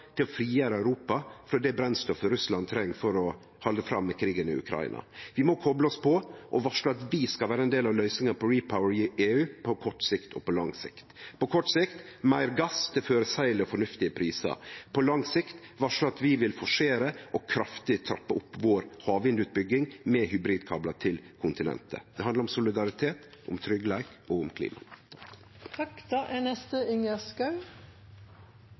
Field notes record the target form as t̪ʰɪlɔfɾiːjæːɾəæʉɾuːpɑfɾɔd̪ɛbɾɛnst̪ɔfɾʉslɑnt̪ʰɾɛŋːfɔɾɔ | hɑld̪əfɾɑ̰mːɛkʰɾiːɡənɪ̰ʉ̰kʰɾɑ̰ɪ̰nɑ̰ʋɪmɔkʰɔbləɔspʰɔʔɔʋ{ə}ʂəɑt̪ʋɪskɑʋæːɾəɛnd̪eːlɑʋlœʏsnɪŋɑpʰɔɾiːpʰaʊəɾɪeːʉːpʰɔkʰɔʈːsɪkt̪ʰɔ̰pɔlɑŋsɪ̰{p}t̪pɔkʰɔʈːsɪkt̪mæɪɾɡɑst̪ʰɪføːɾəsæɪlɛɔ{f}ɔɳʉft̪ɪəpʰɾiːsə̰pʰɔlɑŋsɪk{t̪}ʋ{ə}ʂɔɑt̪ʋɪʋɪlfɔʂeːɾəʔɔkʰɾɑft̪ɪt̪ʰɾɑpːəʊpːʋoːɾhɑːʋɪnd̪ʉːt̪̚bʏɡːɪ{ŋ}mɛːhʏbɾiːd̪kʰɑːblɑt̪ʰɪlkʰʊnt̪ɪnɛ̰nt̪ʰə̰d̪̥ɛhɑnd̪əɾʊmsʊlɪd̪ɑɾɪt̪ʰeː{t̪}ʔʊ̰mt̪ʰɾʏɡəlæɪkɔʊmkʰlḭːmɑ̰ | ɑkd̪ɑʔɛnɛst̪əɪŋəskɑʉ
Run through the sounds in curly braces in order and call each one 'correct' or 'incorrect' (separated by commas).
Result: incorrect, incorrect, correct, correct, incorrect, correct, correct